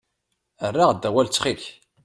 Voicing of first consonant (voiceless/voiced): voiced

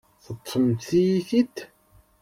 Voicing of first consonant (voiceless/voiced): voiceless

